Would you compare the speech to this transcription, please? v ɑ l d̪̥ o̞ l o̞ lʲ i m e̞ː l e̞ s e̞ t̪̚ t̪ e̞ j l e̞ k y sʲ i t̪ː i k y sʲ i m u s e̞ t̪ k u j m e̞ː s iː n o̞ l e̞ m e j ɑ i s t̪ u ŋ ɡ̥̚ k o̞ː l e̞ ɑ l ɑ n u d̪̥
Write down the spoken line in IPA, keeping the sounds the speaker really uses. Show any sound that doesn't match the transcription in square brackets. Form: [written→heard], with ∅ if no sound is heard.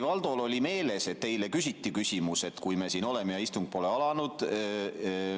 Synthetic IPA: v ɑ l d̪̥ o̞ l o̞ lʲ i m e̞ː l e̞ s e̞ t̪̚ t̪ e̞ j l e̞ k y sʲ i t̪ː i k y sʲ i m u s e̞ t̪ k u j m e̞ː s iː n o̞ l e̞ m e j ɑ i s t̪ u ŋ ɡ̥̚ [k→p] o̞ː l e̞ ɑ l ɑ n u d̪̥